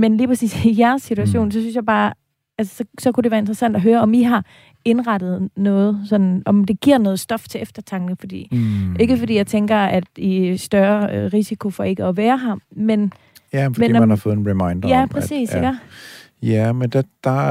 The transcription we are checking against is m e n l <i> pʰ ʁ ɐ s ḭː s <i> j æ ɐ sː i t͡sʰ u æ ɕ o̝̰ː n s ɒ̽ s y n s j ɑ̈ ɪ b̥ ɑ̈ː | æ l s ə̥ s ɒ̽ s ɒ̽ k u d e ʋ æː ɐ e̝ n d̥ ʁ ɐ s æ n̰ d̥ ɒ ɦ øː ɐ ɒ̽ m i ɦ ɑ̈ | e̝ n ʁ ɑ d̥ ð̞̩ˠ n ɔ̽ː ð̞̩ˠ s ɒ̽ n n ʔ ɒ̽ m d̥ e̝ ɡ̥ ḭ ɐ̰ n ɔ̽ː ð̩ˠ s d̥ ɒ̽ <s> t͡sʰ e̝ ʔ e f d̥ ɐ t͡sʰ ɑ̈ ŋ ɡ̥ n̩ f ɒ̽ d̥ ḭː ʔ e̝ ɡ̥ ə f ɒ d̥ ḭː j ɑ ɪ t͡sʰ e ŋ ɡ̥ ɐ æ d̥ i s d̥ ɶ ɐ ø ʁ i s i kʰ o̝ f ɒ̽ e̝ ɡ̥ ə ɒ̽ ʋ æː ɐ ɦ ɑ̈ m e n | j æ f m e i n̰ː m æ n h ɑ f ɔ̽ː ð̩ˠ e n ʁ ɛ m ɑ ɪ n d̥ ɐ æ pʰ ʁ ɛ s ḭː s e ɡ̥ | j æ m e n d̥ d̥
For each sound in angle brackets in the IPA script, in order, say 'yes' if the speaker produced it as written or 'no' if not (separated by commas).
no, yes, no